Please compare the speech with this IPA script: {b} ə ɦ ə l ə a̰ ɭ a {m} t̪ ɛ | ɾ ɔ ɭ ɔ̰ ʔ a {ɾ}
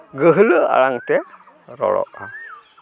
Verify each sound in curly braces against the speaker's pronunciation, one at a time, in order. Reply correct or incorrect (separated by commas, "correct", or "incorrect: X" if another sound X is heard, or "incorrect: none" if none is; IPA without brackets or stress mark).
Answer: incorrect: ɡ, incorrect: ŋ, incorrect: none